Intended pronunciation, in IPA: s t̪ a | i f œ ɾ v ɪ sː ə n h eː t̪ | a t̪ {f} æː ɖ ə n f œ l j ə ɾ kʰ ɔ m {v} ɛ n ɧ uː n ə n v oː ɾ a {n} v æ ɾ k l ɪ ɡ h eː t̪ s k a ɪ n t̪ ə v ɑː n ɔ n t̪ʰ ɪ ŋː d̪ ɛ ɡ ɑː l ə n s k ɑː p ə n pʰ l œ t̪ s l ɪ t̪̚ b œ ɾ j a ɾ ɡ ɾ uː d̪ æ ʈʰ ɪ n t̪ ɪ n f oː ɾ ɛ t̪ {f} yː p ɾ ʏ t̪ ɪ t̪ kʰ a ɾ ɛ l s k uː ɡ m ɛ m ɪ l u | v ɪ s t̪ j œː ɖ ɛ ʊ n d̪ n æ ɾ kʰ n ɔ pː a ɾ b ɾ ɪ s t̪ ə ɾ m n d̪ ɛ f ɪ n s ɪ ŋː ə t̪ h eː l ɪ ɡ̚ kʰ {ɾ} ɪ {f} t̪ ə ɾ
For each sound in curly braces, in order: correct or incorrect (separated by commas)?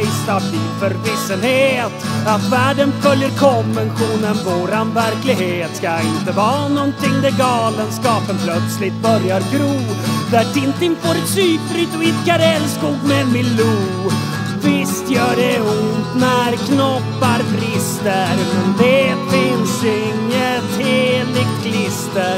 incorrect, correct, correct, incorrect, incorrect, incorrect